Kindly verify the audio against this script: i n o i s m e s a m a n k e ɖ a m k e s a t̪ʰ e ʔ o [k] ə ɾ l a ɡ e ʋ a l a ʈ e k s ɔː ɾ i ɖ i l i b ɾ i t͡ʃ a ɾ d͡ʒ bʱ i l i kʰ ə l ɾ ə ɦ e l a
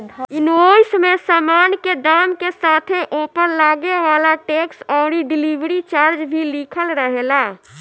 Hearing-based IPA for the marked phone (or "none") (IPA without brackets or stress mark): p